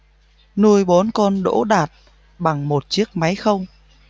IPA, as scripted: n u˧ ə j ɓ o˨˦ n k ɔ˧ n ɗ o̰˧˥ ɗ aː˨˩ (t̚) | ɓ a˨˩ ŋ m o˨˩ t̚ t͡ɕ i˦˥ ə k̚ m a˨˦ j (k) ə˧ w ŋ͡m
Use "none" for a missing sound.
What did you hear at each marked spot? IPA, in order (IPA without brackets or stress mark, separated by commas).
t̚, x